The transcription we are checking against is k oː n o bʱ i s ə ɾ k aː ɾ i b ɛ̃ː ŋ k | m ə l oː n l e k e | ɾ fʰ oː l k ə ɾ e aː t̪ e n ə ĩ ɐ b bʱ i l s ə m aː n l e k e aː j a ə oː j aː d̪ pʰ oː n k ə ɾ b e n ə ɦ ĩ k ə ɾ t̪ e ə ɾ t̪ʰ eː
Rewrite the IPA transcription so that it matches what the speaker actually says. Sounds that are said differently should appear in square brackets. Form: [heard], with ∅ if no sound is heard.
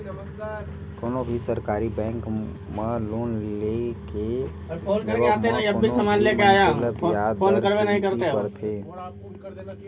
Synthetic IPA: k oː n o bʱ i s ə ɾ k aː ɾ i b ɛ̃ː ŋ k | m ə l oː n l e k e | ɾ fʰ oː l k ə ɾ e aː t̪ e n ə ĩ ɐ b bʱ i [∅] s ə m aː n l e k e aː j a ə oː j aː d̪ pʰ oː n k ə ɾ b e n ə ɦ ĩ k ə ɾ t̪ e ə ɾ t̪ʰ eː